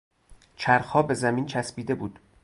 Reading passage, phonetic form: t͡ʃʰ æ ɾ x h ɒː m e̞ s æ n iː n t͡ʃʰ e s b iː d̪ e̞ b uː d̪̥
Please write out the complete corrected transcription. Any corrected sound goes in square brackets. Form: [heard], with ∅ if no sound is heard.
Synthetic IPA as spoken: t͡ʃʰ æ ɾ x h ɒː [b] e̞ [z] æ [m] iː n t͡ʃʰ [æ] s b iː d̪ e̞ b uː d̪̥